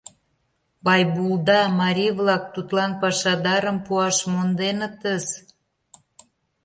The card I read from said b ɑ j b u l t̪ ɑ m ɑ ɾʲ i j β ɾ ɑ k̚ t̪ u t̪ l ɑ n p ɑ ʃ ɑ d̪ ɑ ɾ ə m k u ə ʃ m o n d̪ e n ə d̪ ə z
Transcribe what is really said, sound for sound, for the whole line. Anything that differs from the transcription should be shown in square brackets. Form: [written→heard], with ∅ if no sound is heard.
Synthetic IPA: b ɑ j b u l [t̪→d̪] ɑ m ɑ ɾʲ i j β [ɾ→l] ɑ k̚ t̪ u t̪ l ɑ n p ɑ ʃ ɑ d̪ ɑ ɾ ə m [k→p] u [ə→ɑ] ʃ m o n d̪ e n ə [d̪→t̪] ə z